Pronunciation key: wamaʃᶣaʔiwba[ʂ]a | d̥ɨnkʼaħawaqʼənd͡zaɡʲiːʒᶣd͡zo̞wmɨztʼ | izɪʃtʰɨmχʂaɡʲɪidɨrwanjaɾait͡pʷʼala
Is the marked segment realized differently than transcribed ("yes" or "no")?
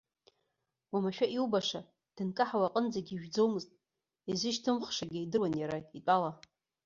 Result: no